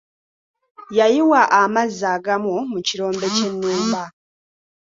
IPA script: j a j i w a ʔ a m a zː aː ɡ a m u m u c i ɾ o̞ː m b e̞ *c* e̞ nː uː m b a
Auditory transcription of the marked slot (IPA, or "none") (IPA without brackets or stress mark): c